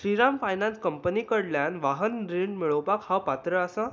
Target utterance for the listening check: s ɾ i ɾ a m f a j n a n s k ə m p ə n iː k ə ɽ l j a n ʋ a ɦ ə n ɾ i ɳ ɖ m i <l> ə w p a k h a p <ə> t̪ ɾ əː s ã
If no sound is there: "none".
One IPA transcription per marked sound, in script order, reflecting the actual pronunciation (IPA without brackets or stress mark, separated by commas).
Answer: ɭ, a